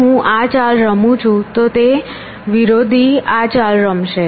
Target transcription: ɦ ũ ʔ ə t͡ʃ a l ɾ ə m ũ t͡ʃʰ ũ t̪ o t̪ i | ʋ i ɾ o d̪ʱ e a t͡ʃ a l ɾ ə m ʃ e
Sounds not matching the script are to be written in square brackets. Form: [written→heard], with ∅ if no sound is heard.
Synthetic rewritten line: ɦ ũ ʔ [ə→a] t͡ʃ a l ɾ ə m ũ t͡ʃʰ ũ t̪ o t̪ [i→e] | ʋ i ɾ o d̪ʱ [e→i] a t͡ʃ a l ɾ ə m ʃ e